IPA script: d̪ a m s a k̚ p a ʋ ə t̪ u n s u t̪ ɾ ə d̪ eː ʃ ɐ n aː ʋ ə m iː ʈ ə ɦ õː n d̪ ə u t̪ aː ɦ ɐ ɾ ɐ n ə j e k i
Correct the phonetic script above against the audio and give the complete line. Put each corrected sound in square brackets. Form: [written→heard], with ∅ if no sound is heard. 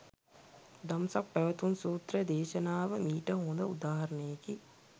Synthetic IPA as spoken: d̪ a m s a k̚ p [a→æ] ʋ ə t̪ u n s [u→uː] t̪ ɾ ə d̪ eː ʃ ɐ n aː ʋ ə m iː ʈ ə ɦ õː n d̪ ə u [t̪→d̪] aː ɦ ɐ ɾ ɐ n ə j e k i